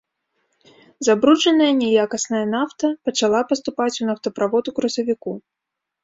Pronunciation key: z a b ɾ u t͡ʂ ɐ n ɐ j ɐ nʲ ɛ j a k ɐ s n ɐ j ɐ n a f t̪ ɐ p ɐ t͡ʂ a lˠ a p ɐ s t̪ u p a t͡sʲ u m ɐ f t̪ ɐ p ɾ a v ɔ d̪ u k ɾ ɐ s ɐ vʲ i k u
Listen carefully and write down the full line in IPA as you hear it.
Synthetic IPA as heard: z a b ɾ u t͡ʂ ɐ n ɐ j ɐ nʲ ɛ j a k ɐ s n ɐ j ɐ n a f t̪ ɐ p ɐ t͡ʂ a lˠ a p ɐ s t̪ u p a t͡sʲ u n ɐ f t̪ ɐ p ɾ a v ɔ d̪ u k ɾ ɐ s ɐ vʲ i k u